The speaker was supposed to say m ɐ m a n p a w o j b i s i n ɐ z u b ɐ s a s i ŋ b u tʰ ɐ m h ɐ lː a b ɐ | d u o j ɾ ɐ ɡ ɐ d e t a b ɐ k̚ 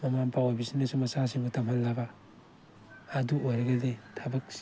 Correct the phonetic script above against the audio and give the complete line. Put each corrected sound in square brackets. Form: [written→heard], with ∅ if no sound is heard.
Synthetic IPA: m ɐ m a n p a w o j b i s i n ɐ [z→s] u [b→m] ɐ s a s i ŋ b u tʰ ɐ m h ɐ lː a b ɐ | d u o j ɾ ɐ ɡ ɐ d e [t→tʰ] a b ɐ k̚